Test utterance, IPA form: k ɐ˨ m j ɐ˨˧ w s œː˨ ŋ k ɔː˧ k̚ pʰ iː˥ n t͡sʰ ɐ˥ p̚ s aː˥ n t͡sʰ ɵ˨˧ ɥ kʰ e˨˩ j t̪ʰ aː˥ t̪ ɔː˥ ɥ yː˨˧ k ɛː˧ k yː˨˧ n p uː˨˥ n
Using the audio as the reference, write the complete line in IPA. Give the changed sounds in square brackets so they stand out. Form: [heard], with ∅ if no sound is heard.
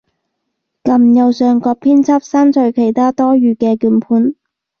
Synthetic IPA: k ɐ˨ m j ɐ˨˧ w s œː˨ ŋ k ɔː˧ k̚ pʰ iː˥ n t͡sʰ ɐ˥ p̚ s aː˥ n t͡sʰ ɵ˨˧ ɥ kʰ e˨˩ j t̪ʰ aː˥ t̪ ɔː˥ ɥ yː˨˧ k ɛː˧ k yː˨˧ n [pʰ] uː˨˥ n